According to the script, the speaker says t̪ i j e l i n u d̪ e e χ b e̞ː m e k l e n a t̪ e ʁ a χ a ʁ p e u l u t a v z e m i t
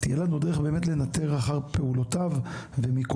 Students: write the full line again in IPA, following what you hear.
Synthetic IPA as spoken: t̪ i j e l a n u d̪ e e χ b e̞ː m e t l e n a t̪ e ʁ a χ a ʁ p e u l o t a v v e m i k